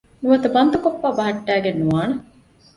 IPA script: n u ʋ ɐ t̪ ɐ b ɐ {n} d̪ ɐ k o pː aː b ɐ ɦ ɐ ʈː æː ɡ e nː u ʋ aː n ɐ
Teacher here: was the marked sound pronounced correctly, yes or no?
yes